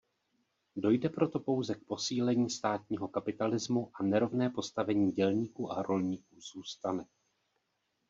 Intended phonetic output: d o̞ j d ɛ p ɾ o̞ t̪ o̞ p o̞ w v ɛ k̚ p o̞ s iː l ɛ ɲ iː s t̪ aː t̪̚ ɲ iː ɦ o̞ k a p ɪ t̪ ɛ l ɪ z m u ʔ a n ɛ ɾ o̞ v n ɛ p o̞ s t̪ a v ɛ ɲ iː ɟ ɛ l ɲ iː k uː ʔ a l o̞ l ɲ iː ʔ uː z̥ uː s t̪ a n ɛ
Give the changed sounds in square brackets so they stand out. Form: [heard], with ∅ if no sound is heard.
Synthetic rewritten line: d o̞ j d ɛ p ɾ o̞ t̪ o̞ p o̞ w [z] ɛ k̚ p o̞ s iː l ɛ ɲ iː s t̪ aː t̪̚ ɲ iː ɦ o̞ k a p ɪ t̪ [a] l ɪ z m u ʔ a n ɛ ɾ o̞ v n [ɛː] p o̞ s t̪ a v ɛ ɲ iː ɟ ɛ l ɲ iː k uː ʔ a [ɾ] o̞ l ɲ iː [k] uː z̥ uː s t̪ a n ɛ